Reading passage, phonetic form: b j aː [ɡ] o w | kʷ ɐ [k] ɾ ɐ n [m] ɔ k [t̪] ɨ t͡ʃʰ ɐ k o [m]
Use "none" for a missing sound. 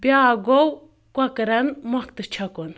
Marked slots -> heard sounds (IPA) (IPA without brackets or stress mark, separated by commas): ɡ, k, m, t̪, n